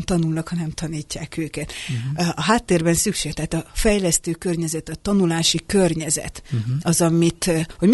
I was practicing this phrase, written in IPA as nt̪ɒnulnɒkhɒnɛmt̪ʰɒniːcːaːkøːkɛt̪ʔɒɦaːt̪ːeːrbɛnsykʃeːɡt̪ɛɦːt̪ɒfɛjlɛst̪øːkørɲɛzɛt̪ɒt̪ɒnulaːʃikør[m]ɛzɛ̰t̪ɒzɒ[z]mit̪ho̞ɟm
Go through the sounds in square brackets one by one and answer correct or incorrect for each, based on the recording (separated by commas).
incorrect, incorrect